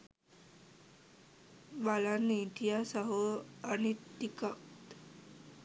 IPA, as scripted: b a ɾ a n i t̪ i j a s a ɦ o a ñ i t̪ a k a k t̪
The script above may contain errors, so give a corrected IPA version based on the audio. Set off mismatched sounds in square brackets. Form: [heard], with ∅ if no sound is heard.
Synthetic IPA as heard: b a [l] a n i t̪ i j a s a ɦ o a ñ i t̪ [i] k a k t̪